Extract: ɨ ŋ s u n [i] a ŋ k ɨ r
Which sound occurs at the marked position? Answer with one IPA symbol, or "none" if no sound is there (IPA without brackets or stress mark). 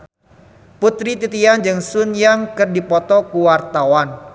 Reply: j